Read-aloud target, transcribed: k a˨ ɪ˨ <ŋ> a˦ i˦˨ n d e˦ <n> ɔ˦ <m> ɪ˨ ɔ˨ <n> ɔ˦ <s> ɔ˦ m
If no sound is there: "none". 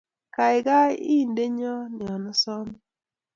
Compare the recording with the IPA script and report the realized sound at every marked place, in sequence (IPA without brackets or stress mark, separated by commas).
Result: ɡ, ɲ, n, n, s